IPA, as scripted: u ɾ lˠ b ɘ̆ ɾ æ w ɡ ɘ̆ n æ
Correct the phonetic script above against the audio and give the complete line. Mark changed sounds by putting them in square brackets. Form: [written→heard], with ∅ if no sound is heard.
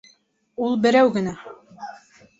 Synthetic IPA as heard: u [ɾ→∅] lˠ b ɘ̆ ɾ æ w ɡ ɘ̆ n æ

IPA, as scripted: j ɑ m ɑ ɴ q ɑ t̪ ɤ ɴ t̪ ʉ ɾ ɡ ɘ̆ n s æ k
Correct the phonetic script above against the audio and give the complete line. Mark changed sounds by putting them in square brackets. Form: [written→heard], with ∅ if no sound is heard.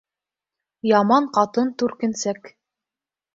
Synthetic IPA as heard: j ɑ m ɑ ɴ q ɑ t̪ ɤ [ɴ→n] t̪ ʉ ɾ [ɡ→k] ɘ̆ n s æ k

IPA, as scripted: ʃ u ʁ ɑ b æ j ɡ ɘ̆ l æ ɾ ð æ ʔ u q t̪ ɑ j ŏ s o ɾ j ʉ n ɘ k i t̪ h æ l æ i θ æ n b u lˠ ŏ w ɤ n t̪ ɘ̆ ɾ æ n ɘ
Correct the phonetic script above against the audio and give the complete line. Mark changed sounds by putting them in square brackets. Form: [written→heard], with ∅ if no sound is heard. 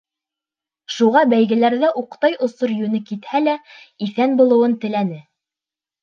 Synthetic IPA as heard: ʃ u ʁ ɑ b æ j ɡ ɘ̆ l æ ɾ ð æ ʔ u q t̪ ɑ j ŏ s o ɾ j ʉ n ɘ k i t̪ h æ l æ i θ æ n b u lˠ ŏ w ɤ n t̪ ɘ̆ [ɾ→l] æ n ɘ

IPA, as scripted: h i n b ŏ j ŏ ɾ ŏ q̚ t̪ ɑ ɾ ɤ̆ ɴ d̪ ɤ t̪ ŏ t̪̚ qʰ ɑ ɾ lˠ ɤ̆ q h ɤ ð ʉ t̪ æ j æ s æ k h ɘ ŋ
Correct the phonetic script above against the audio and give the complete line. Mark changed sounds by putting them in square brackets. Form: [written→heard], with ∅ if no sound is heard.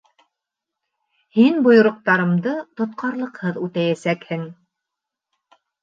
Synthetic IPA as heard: h i n b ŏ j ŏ ɾ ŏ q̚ t̪ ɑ ɾ ɤ̆ [ɴ→m] d̪ ɤ t̪ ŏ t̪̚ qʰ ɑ ɾ lˠ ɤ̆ q h ɤ ð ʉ t̪ æ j æ s æ k h ɘ ŋ

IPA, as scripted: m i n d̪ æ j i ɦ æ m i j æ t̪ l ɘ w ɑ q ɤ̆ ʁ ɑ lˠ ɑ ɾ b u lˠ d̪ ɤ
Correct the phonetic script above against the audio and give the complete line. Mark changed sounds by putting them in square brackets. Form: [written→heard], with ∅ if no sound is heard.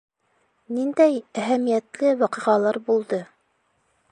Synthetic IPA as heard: [m→n] i n d̪ æ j [i→æ] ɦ æ m i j æ t̪ l ɘ w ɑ q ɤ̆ ʁ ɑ lˠ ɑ ɾ b u lˠ d̪ ɤ

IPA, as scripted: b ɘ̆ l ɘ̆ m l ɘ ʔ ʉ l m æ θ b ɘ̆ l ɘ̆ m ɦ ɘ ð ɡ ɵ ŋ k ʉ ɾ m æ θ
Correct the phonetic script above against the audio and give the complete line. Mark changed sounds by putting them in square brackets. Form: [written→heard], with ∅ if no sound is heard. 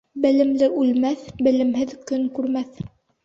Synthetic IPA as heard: b ɘ̆ l ɘ̆ m l ɘ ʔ ʉ l m æ θ b ɘ̆ l ɘ̆ m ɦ ɘ ð [ɡ→k] ɵ ŋ k ʉ ɾ m æ θ

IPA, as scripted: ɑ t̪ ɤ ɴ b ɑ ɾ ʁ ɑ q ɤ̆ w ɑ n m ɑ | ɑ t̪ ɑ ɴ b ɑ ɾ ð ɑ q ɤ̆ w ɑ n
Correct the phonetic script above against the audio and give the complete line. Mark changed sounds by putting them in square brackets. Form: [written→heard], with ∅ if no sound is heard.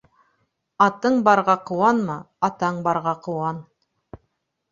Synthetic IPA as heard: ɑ t̪ ɤ ɴ b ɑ ɾ ʁ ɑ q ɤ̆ w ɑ n m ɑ | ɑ t̪ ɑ ɴ b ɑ ɾ [ð→ʁ] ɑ q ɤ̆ w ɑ n

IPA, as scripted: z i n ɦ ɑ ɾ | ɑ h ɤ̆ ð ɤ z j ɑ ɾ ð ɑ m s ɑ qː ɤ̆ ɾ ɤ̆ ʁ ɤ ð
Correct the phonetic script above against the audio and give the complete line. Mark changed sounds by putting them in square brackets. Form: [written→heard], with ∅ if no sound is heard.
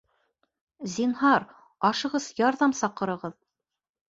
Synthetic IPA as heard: z i n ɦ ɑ ɾ | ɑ [h→ʃ] ɤ̆ [ð→ʁ] ɤ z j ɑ ɾ ð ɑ m s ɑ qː ɤ̆ ɾ ɤ̆ ʁ ɤ ð

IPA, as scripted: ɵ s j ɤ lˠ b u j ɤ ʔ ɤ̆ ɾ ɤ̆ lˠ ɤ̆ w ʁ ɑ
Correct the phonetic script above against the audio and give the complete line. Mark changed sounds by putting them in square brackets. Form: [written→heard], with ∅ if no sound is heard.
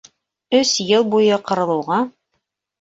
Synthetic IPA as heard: ɵ s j ɤ lˠ b u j ɤ [ʔ→q] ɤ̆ ɾ ɤ̆ lˠ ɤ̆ w ʁ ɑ

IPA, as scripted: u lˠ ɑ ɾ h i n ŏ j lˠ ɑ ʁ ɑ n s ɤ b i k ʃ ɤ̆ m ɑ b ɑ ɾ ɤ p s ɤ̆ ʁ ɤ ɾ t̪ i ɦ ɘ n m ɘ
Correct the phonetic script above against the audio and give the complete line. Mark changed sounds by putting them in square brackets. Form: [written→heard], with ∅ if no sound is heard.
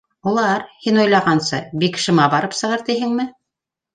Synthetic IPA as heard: u lˠ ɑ ɾ h i n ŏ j lˠ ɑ ʁ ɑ n s ɤ b i k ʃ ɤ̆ m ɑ b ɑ ɾ ɤ p s ɤ̆ ʁ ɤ ɾ t̪ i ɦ ɘ [n→ŋ] m ɘ

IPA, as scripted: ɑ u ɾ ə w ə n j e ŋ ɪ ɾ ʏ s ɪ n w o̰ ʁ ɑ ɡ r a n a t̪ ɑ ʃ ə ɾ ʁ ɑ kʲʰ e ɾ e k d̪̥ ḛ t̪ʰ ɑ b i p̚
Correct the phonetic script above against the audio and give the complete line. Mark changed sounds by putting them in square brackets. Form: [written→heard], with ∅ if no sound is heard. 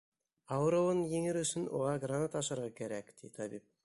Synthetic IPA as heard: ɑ [u→w] ɾ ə w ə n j e ŋ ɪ ɾ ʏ s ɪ n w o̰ ʁ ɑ ɡ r a n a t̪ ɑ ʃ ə ɾ ʁ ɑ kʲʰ e ɾ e k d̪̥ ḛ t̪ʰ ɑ b i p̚

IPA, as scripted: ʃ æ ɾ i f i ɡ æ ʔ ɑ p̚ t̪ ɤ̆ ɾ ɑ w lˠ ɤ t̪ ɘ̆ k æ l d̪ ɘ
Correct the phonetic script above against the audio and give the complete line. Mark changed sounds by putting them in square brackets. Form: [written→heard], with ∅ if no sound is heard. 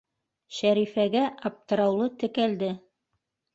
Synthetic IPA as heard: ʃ æ ɾ i f [i→æ] ɡ æ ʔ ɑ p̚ t̪ ɤ̆ ɾ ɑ w lˠ ɤ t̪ ɘ̆ k æ l d̪ ɘ

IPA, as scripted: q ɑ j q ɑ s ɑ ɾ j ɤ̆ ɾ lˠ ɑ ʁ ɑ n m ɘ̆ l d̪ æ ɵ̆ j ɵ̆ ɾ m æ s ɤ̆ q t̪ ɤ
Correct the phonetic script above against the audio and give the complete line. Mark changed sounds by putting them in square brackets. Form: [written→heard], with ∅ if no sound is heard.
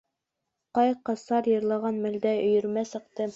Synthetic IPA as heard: q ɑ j q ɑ s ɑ ɾ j ɤ̆ ɾ lˠ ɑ ʁ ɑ n m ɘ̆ l d̪ æ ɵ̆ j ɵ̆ ɾ m æ s ɤ̆ q t̪ ɤ

